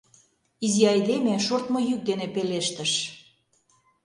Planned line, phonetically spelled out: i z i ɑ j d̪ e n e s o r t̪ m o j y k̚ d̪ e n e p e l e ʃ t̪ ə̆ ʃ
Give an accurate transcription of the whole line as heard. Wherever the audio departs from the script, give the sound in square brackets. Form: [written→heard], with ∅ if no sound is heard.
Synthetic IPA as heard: i z i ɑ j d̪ e [n→m] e [s→ʃ] o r t̪ m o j y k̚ d̪ e n e p e l e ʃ t̪ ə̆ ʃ